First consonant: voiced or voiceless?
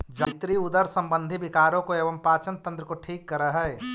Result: voiced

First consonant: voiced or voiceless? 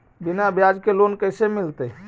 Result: voiced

